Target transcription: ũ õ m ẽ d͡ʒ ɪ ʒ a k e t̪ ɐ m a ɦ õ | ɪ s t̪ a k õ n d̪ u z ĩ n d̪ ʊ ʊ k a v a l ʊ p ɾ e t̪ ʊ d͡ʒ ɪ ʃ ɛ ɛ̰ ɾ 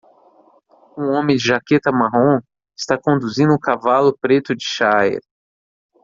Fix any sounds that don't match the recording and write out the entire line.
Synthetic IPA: ũ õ m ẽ d͡ʒ ɪ ʒ a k e t̪ ɐ m a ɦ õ | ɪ s t̪ a k õ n d̪ u z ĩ n d̪ ʊ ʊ k a v a l ʊ p ɾ e t̪ ʊ d͡ʒ ɪ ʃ a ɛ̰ ɾ